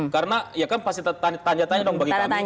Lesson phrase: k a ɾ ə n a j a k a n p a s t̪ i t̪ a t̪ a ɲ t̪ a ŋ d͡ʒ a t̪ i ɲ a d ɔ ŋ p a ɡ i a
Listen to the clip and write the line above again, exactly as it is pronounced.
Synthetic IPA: k a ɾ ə n a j a k a n p a s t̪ i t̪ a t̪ a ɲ t̪ a ɲ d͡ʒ a t̪ a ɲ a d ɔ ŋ b a ɡ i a